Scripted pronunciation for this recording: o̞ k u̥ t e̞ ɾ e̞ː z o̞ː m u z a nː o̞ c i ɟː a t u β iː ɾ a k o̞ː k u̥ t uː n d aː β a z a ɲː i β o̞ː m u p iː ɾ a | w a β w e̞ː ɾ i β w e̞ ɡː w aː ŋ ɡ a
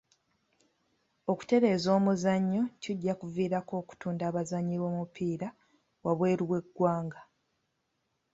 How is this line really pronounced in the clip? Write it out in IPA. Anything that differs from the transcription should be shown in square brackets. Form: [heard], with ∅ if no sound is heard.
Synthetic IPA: o̞ k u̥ t e̞ ɾ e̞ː z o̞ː m u z a [ɲː] o̞ c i ɟː a [k] u [v] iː ɾ a k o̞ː k u̥ t uː n d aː β a z a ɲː i β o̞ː m u p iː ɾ a | w a β w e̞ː ɾ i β w e̞ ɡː w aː ŋ ɡ a